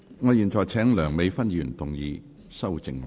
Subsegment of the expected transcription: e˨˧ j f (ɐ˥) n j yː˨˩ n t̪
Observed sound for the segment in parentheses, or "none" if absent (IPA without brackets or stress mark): ɐ˥